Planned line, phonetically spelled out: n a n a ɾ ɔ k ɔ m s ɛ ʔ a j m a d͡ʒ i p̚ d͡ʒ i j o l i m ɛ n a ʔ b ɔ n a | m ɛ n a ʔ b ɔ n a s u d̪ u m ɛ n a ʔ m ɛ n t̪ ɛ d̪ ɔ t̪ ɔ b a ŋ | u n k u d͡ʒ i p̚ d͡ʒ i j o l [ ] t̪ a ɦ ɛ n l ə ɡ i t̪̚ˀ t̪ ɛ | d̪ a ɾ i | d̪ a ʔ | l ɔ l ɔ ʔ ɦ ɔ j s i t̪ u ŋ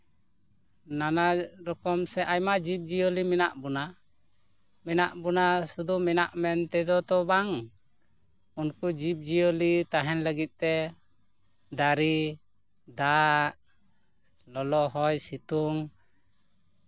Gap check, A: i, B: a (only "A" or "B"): A